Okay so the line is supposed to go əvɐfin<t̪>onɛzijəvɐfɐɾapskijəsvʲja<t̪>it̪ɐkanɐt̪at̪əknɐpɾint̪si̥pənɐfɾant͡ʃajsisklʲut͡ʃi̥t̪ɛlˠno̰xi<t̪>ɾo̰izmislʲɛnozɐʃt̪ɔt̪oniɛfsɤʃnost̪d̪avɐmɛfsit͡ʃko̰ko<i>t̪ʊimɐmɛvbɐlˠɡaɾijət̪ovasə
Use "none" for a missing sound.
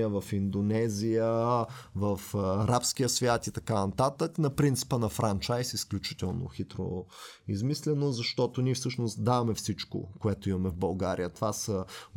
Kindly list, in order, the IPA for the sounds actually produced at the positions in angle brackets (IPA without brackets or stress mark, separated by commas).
d̪, t̪, t̪, ɛ